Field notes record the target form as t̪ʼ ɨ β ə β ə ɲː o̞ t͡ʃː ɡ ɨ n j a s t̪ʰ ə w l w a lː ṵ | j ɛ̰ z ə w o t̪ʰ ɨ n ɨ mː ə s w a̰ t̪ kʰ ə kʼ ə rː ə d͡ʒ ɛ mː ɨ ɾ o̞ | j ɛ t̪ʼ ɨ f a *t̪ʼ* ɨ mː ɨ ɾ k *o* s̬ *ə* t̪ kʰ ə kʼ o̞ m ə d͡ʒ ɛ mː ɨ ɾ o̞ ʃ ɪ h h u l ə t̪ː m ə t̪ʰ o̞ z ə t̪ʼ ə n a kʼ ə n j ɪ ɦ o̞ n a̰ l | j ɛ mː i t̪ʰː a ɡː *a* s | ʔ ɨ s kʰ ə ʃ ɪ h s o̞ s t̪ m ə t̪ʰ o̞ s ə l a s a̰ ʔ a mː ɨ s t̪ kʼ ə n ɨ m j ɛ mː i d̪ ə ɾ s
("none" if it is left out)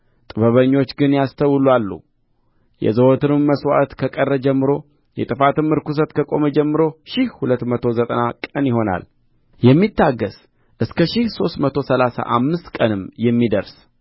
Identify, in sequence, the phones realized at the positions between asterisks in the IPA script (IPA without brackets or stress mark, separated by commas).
t̪, u, ə, ə